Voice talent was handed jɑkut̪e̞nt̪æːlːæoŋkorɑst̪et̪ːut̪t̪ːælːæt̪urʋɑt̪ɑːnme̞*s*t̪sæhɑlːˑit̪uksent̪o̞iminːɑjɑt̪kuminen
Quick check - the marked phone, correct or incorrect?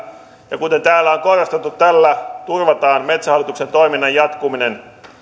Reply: incorrect